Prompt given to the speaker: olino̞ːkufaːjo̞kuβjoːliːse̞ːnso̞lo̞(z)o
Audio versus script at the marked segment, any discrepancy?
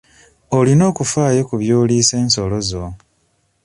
no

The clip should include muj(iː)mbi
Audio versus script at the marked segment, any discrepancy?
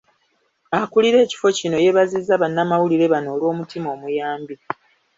yes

